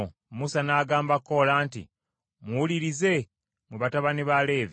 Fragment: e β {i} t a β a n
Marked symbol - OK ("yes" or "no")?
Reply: no